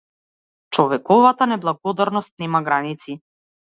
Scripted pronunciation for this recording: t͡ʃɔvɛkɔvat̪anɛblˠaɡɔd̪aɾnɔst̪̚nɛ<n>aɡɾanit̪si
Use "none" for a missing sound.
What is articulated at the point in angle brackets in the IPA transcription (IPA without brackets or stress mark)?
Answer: m